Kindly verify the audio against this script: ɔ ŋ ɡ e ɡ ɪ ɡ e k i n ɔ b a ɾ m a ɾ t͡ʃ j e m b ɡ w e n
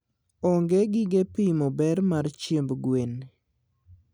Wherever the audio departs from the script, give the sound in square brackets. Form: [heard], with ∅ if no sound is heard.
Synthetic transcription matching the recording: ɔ ŋ ɡ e ɡ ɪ ɡ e [p] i [m] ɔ b [ɛ] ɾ m a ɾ t͡ʃ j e m b ɡ w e n